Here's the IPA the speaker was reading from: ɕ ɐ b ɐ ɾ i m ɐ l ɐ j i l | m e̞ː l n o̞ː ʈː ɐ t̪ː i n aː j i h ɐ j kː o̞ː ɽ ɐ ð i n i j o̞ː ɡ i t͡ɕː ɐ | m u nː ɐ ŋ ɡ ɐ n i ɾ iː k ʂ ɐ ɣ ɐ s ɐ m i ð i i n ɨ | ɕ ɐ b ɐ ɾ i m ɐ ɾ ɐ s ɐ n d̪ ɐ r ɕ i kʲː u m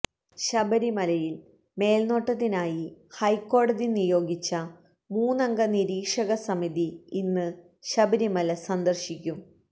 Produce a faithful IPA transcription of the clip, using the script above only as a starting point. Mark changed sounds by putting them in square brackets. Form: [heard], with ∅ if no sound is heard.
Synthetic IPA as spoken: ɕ ɐ b ɐ ɾ i m ɐ l ɐ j i l | m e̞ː l n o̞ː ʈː ɐ t̪ː i n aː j i h ɐ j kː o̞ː ɽ ɐ ð i n i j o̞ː ɡ i t͡ɕː ɐ | m [uː] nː ɐ ŋ ɡ ɐ n i ɾ iː k ʂ ɐ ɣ ɐ s ɐ m i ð i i [nː] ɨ | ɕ ɐ b ɐ ɾ i m ɐ [l] ɐ s ɐ n d̪ ɐ r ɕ i kʲː u m